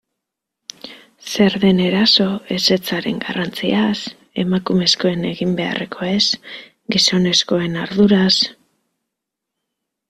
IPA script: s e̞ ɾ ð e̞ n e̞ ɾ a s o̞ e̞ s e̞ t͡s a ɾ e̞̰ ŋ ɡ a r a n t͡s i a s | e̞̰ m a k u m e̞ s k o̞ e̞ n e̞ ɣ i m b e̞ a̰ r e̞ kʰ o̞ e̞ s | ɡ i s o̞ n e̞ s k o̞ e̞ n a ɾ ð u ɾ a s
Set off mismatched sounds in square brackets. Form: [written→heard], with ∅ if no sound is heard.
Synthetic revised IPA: s e̞ ɾ ð e̞ n e̞ ɾ a s o̞ e̞ s e̞ t͡s a ɾ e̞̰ ŋ ɡ a r a n t͡s i a s | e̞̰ m a k u m e̞ s k o̞ e̞ n e̞ ɣ i m b e̞ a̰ r e̞ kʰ o̞ e̞ s | ɡ i s o̞ n e̞ s k o̞ e̞ n a ɾ ð u ɾ a s